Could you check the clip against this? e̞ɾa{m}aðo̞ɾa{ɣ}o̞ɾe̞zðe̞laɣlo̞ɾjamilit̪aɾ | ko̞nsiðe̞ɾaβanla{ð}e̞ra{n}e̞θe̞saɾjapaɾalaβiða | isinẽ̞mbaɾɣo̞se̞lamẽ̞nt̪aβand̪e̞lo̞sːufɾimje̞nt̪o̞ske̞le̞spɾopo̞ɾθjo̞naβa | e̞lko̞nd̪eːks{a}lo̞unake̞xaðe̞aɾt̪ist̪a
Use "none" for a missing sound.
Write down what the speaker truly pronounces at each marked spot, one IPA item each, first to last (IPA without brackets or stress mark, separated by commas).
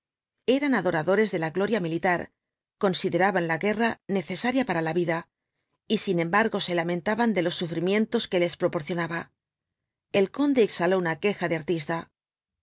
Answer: n, ð, ɣ, n, a